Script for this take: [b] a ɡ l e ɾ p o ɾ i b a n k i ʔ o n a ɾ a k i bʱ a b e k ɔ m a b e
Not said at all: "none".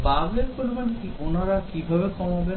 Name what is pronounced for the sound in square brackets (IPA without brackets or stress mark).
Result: b